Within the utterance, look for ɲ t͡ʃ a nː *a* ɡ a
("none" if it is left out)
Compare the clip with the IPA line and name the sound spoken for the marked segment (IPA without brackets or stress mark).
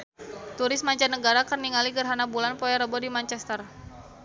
ə